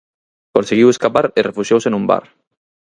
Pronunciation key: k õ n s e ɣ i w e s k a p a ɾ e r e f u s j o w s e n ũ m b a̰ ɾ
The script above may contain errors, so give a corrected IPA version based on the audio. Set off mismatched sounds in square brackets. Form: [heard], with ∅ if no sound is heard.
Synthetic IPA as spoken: k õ n s e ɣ i w e s k a p a ɾ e r e f u [ʃ] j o w s e n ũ m b a̰ ɾ

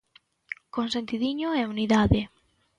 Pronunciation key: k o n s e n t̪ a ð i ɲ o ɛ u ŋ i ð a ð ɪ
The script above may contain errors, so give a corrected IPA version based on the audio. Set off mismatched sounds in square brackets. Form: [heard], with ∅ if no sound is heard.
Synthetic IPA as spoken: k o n s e n t̪ [i] ð i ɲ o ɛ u [n] i ð a ð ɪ

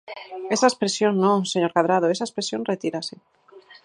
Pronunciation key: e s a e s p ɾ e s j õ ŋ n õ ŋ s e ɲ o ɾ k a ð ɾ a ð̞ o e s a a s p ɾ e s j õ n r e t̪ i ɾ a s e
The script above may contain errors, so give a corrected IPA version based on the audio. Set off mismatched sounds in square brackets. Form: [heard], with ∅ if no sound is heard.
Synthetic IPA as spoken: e s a e s p ɾ e s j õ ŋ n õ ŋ s e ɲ o ɾ k a ð ɾ a ð̞ o e s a [e] s p ɾ e s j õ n r e t̪ i ɾ a s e

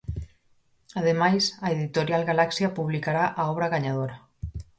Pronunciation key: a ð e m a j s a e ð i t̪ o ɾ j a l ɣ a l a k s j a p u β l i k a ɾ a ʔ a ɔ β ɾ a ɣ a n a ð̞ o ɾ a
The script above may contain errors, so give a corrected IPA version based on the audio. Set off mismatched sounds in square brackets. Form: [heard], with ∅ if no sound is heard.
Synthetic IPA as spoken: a ð e m a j s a e ð i t̪ o ɾ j a l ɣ a l a k s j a p u β l i k a ɾ a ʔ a ɔ β ɾ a ɣ a [ɲ] a ð̞ o ɾ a

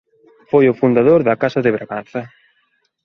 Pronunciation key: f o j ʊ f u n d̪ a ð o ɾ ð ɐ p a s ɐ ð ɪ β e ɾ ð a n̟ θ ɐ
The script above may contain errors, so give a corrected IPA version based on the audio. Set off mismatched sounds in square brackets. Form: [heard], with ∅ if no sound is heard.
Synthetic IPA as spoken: f o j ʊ f u n d̪ a ð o ɾ ð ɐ [k] a s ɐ ð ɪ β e ɾ [ɣ] a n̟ θ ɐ

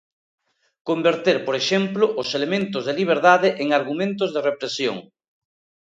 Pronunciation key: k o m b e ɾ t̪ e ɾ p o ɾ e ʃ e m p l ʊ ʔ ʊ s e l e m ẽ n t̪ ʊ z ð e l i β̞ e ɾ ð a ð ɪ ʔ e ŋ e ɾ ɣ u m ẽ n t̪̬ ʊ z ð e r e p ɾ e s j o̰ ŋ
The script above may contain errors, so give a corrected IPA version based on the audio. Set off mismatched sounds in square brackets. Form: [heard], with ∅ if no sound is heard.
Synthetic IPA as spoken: k o m b e ɾ t̪ e ɾ p o ɾ e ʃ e m p l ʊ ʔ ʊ s e l e m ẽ n t̪ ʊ z ð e l i β̞ e ɾ ð a ð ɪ ʔ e ŋ [a] ɾ ɣ u m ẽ n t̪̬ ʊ z ð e r e p ɾ e s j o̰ ŋ

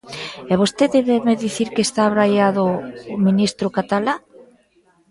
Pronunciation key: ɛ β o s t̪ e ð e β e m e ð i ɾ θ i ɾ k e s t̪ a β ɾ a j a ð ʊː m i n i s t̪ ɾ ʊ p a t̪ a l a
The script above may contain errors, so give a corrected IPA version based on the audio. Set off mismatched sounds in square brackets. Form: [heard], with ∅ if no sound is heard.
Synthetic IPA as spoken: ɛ β o s t̪ e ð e β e m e ð i [∅] θ i ɾ k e s t̪ a β ɾ a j a ð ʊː m i n i s t̪ ɾ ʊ [k] a t̪ a l a

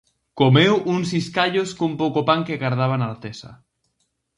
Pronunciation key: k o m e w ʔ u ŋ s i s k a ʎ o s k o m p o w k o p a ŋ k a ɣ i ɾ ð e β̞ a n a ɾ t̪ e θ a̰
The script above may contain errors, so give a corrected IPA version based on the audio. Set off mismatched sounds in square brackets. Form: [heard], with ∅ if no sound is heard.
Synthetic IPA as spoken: k o m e w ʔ u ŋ s i s k a ʎ o s k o m p o w k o p a ŋ k [e] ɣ [a] ɾ ð [a] β̞ a n a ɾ t̪ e [s] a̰

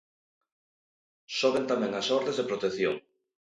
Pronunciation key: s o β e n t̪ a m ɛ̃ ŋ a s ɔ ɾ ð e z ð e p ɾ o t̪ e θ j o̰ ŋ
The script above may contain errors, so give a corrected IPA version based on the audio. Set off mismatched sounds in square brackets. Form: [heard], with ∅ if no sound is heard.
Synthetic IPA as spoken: s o β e n t̪ a m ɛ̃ ŋ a s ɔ ɾ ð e z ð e p ɾ o t̪ e θ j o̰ ŋ

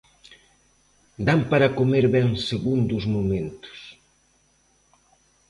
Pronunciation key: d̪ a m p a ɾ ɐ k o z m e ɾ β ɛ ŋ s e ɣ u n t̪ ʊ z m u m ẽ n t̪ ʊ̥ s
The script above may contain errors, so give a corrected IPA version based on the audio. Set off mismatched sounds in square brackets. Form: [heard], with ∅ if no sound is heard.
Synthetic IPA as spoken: d̪ a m p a ɾ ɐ k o [∅] m e ɾ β ɛ ŋ s e ɣ u n [d̪] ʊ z m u m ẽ n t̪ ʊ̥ s

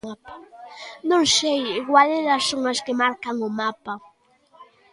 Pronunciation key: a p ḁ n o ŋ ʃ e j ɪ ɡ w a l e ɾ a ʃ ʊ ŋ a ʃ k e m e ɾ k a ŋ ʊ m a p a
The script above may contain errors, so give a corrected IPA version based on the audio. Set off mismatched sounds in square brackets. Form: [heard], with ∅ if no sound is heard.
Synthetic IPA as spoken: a p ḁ n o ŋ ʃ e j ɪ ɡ w a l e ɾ a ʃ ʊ ŋ a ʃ k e m [a] ɾ k a ŋ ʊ m a p a

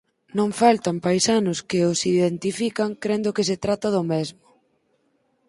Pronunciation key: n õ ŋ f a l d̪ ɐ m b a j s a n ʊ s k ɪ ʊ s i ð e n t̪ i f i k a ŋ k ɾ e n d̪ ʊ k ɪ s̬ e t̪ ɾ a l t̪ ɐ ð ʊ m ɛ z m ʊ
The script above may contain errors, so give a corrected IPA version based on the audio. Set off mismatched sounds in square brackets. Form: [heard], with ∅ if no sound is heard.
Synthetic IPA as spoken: n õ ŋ f a l [t̪] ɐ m [p] a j s a n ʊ s k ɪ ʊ s i ð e n t̪ i f i k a ŋ k ɾ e n d̪ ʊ k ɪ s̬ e t̪ ɾ a [∅] t̪ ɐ ð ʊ m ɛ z m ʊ

